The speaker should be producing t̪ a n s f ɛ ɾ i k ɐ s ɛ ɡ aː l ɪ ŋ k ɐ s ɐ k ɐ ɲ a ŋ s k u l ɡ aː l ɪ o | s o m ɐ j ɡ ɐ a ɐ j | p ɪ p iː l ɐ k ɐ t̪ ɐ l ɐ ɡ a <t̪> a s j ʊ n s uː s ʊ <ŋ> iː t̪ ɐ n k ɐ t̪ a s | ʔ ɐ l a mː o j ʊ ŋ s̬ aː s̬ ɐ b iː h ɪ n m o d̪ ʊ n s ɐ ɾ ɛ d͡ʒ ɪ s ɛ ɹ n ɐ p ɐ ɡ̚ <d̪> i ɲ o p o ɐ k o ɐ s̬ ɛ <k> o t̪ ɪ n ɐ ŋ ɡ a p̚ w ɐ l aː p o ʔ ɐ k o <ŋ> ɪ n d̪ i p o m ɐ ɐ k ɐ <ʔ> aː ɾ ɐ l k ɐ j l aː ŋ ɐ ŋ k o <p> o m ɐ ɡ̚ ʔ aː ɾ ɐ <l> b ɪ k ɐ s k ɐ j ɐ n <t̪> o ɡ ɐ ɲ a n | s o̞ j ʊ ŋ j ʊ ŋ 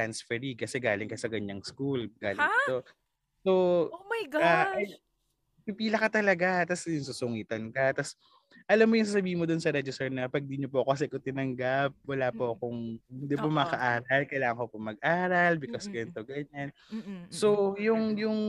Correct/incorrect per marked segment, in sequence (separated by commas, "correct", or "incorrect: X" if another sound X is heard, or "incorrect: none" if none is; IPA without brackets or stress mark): correct, correct, correct, correct, correct, correct, correct, correct, correct